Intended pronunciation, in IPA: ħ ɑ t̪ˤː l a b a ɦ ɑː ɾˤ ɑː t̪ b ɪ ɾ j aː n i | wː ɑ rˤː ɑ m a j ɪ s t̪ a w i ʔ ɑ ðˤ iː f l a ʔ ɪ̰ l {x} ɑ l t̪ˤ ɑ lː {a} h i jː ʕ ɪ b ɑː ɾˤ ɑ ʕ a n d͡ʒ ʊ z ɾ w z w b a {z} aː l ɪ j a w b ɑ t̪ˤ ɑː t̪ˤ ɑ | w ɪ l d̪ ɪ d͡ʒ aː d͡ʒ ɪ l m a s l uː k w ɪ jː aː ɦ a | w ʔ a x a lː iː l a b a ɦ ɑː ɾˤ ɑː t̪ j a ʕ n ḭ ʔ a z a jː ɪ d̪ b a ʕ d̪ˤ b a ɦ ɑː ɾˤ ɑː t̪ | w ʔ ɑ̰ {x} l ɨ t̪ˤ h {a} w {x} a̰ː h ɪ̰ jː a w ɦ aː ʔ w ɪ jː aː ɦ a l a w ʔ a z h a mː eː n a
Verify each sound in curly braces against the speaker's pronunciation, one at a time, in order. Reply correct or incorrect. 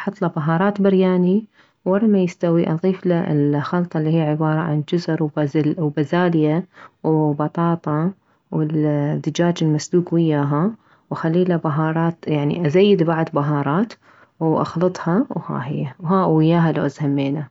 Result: correct, incorrect: i, correct, correct, incorrect: ɑ, incorrect: h

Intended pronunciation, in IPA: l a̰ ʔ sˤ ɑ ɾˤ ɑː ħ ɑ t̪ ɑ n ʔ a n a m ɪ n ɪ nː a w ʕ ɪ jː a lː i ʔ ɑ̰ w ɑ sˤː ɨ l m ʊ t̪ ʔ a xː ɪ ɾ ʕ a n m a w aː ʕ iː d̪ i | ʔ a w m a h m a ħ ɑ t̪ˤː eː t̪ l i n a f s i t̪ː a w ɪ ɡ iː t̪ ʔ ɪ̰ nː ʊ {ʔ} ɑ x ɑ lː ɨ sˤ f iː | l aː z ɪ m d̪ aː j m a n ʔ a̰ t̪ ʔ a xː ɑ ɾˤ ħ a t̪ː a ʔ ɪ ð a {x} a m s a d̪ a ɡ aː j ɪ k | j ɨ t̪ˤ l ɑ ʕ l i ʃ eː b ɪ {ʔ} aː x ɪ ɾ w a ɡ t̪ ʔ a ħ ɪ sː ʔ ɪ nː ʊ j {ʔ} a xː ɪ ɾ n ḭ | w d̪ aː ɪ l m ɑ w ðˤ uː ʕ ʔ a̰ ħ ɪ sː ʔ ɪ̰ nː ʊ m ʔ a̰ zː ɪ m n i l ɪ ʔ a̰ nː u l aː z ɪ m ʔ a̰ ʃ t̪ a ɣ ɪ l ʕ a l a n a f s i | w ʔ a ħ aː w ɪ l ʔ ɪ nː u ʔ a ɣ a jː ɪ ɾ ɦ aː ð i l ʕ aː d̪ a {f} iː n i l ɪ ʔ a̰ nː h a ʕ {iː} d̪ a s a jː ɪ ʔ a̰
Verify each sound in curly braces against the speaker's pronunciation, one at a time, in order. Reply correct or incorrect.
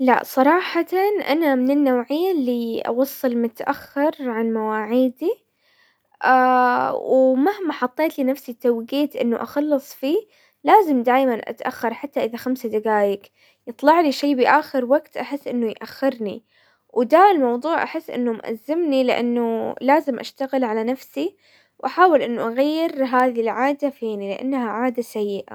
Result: correct, correct, correct, correct, correct, incorrect: aː

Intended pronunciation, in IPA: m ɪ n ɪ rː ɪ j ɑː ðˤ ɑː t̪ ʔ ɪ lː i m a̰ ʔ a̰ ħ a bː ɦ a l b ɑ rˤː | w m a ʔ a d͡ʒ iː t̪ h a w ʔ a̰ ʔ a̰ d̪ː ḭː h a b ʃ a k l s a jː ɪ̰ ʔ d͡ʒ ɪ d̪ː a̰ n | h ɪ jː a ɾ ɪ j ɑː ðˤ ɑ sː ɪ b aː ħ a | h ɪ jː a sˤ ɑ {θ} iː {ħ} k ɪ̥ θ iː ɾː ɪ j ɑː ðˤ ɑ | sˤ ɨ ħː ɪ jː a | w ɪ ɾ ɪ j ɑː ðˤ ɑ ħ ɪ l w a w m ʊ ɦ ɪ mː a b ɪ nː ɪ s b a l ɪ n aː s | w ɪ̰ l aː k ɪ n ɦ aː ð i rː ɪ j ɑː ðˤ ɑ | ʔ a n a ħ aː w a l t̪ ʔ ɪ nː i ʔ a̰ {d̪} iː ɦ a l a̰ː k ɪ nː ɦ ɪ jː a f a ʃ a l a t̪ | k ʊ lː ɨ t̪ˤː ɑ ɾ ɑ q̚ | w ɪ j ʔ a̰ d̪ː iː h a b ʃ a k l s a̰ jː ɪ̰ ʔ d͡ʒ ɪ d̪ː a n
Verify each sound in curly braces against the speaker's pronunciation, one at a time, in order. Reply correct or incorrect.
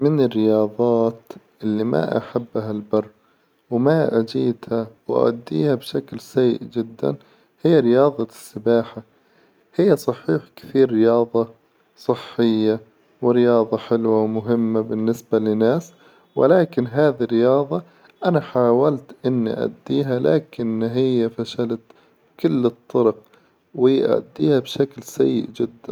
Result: incorrect: ħ, correct, incorrect: d̪ː

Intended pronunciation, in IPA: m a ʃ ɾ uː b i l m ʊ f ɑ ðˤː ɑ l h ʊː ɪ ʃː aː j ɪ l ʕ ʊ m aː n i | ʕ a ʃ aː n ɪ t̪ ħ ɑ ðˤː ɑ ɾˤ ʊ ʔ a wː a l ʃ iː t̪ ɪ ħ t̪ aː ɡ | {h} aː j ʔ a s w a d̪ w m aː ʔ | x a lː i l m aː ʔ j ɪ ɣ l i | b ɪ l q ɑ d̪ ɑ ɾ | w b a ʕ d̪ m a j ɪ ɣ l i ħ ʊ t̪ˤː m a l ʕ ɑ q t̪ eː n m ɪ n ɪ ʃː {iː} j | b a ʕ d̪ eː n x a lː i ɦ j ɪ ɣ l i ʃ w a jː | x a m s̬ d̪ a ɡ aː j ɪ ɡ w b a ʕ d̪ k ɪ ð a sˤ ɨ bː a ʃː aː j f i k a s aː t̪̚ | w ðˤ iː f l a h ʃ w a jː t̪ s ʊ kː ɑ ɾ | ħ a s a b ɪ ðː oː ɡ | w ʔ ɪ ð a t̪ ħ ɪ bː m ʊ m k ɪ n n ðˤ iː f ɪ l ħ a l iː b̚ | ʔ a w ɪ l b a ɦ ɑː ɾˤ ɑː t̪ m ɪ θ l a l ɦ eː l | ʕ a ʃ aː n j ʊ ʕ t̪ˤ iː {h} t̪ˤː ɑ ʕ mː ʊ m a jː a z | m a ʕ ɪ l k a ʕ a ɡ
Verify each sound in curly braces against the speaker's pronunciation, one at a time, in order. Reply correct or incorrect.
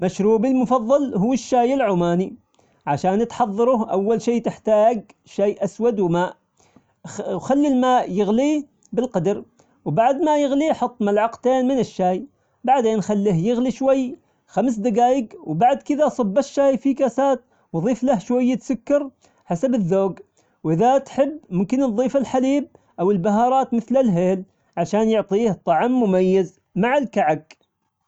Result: incorrect: ʃ, incorrect: aː, correct

